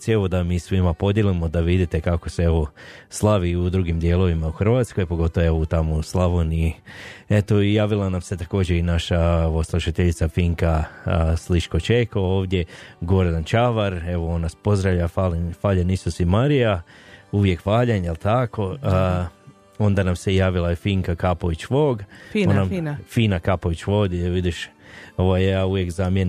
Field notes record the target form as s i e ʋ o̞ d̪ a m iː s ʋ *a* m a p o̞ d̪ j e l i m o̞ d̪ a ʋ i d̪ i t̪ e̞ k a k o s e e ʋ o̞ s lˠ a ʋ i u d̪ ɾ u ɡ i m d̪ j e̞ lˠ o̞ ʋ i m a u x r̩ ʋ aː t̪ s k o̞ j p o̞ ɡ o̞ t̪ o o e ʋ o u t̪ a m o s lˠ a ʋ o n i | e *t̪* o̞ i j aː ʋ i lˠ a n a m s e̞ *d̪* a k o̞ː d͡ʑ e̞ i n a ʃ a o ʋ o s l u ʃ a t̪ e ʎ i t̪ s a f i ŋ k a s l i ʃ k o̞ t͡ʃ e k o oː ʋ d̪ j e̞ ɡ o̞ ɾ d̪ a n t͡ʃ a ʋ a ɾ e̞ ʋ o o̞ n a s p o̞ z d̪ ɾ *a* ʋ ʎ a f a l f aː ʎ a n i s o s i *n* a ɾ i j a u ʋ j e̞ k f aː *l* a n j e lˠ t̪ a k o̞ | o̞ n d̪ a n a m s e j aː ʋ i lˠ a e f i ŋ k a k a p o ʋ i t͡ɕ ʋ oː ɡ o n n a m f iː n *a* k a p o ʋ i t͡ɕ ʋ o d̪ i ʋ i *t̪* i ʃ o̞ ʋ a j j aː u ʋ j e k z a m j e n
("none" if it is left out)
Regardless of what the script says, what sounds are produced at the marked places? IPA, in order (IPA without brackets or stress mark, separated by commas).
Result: i, t̪, t̪, a, m, ʎ, a, d̪